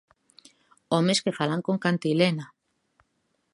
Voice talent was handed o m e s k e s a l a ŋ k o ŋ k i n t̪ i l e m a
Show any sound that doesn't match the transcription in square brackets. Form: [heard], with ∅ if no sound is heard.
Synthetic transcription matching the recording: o m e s k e [f] a l a ŋ k o ŋ k [a] n t̪ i l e [n] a